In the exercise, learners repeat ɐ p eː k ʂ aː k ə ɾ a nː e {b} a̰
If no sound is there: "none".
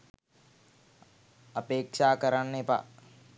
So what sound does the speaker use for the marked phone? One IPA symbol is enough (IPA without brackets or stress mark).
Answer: p